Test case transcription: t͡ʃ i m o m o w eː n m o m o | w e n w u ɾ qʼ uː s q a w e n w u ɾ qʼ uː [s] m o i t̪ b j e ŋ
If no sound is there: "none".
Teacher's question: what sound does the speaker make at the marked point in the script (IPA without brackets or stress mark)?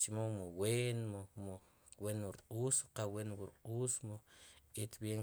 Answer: s